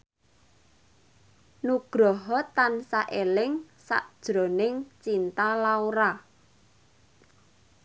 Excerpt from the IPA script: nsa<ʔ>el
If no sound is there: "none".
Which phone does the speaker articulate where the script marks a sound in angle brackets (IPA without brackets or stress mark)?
ʔ